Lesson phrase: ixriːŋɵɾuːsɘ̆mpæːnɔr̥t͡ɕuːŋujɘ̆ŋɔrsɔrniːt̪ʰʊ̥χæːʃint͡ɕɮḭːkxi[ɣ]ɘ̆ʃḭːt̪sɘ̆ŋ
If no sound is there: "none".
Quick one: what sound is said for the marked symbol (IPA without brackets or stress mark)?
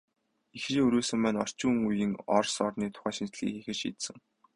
x